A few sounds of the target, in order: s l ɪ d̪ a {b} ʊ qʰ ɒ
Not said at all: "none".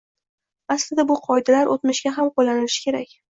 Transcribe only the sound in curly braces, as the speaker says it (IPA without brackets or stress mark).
b